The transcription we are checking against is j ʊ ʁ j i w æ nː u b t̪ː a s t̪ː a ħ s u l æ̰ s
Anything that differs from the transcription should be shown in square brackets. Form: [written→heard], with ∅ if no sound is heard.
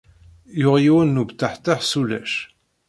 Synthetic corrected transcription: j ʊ ʁ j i w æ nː u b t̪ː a [s→ħ] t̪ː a ħ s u l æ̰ [s→ʃ]